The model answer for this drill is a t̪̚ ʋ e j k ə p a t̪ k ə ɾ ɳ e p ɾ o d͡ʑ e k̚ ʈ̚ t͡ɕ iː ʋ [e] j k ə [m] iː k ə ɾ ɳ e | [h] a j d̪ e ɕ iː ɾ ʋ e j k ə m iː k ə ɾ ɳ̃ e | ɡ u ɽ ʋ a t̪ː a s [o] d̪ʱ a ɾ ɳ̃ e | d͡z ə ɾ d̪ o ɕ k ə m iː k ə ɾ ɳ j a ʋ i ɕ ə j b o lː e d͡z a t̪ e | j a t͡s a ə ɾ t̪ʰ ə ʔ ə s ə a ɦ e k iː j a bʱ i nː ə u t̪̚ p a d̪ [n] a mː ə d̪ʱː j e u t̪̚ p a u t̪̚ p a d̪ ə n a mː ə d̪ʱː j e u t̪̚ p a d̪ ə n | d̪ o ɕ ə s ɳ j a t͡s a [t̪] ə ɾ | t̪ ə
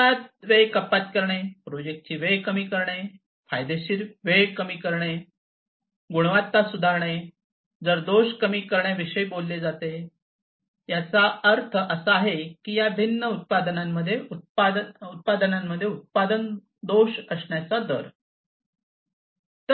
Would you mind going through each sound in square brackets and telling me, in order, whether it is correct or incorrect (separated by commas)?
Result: correct, correct, incorrect, incorrect, correct, incorrect